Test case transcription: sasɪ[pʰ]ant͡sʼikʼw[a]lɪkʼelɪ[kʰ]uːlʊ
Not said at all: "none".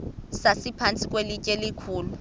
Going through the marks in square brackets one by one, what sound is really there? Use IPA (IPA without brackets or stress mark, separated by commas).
pʰ, e, kʰ